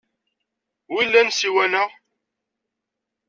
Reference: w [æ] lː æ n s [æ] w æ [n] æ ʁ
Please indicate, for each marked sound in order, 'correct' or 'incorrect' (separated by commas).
incorrect, incorrect, correct